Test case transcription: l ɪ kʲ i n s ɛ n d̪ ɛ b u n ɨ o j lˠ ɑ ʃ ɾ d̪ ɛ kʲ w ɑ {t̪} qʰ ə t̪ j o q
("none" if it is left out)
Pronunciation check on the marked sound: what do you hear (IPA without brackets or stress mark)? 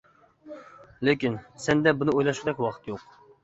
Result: none